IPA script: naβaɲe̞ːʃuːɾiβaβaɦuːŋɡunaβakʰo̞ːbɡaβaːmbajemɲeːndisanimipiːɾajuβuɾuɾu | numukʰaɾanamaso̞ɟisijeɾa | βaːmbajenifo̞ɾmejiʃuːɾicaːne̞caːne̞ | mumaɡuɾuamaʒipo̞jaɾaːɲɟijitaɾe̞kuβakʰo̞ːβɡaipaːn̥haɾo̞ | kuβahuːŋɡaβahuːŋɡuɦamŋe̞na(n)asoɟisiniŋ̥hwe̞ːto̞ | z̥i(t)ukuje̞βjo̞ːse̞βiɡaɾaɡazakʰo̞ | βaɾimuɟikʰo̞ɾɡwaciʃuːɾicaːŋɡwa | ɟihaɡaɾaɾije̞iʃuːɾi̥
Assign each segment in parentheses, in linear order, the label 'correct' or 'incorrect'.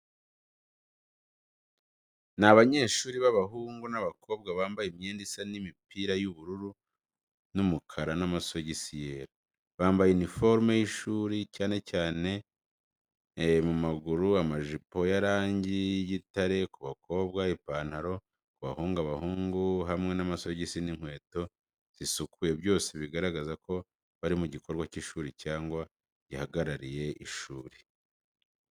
incorrect: m, incorrect: s

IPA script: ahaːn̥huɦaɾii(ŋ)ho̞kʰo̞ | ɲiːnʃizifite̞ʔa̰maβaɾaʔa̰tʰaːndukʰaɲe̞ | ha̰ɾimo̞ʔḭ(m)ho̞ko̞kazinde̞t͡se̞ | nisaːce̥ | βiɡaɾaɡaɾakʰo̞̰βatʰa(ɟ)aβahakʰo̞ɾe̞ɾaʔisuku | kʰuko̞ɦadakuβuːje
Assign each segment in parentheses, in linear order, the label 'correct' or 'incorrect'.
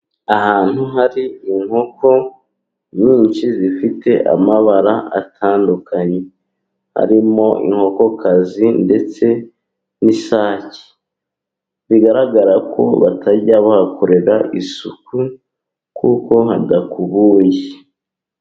correct, incorrect: ŋ, correct

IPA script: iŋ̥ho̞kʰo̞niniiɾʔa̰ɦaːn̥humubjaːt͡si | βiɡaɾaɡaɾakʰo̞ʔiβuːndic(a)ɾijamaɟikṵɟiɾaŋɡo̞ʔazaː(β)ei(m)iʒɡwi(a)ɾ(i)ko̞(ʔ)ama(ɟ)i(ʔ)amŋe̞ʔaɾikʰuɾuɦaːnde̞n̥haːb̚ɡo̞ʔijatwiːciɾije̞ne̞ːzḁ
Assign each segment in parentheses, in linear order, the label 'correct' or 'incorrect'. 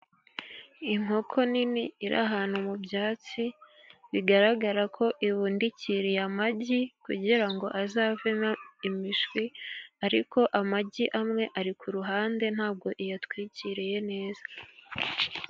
incorrect: i, incorrect: v, correct, correct, correct, correct, correct, correct

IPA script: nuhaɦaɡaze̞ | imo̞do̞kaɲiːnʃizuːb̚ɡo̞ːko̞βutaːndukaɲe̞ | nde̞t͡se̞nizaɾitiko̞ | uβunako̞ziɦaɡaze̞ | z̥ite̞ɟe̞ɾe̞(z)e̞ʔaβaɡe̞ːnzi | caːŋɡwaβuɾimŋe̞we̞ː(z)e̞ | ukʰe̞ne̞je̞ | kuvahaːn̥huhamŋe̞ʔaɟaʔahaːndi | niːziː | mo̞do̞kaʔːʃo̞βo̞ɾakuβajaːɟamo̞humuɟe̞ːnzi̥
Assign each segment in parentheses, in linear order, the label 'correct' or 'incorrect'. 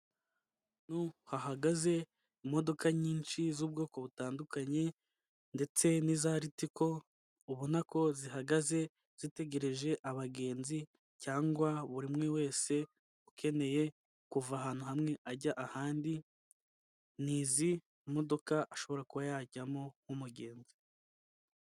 incorrect: ʒ, incorrect: s

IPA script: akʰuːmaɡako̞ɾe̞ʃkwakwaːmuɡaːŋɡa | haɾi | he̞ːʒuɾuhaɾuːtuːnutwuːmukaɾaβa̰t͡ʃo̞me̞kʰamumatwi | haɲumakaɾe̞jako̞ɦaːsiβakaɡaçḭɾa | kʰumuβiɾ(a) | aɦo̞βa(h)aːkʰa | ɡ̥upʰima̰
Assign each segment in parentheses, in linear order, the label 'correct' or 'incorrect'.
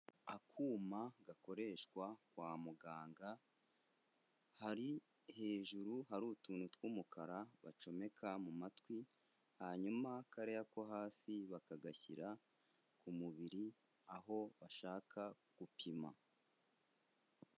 incorrect: i, incorrect: ʃ

